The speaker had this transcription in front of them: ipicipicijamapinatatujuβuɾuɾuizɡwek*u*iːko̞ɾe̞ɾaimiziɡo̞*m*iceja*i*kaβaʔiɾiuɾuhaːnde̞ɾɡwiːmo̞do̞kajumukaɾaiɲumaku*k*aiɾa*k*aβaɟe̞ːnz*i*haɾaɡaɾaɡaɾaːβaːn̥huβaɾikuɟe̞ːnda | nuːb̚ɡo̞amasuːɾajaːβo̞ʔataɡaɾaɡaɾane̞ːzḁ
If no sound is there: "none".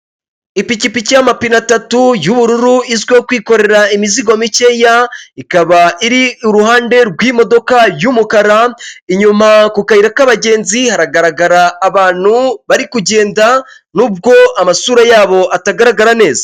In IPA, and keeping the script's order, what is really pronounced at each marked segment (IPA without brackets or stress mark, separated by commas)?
w, m, i, k, k, i